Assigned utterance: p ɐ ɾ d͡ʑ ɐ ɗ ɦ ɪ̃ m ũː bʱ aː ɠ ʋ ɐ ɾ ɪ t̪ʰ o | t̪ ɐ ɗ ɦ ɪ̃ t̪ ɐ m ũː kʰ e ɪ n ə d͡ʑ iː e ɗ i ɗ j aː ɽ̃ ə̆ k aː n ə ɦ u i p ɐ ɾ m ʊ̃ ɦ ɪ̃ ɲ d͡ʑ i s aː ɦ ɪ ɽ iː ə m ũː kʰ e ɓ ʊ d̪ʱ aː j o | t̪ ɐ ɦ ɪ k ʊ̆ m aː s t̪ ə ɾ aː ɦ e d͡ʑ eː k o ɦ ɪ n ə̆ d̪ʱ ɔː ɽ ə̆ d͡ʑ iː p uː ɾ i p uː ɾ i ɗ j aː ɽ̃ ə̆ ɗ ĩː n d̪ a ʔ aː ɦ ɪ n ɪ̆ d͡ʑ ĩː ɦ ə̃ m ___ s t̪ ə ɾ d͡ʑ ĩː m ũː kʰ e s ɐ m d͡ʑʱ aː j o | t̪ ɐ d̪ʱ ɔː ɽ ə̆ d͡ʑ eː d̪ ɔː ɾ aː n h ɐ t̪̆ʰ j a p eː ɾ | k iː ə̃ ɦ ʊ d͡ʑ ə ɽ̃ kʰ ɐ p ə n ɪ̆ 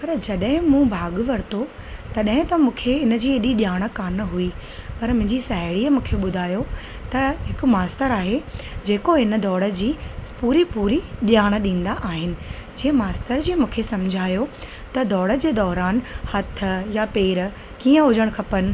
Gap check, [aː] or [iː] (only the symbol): aː